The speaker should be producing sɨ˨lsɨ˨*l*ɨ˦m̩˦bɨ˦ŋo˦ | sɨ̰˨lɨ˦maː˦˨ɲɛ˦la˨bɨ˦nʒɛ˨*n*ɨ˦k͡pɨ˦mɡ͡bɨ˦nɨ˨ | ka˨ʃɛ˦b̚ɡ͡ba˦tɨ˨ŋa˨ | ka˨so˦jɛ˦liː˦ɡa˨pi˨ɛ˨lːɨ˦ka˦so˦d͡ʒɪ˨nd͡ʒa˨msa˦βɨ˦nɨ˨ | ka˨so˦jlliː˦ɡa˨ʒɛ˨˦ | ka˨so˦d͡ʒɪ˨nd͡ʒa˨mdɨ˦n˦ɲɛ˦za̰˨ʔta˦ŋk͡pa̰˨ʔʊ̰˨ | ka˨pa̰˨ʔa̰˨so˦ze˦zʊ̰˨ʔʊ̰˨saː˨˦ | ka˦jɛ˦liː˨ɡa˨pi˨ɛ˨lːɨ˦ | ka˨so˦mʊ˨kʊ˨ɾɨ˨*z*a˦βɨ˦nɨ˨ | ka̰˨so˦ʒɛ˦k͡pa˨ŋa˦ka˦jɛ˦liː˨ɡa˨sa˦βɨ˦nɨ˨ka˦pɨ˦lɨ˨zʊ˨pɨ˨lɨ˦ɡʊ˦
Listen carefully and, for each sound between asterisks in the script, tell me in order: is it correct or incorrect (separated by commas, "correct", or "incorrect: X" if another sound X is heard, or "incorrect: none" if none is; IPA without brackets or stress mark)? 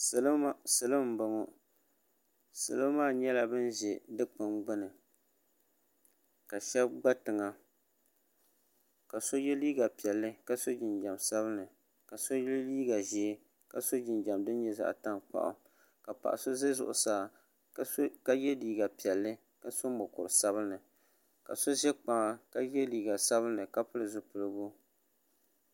correct, incorrect: d, incorrect: s